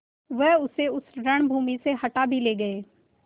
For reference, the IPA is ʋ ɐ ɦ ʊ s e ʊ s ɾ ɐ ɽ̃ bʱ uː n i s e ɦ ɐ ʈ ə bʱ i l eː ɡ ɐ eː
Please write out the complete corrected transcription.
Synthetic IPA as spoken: ʋ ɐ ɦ ʊ s e ʊ s ɾ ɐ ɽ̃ bʱ uː m i s e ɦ ɐ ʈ a bʱ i l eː ɡ ɐ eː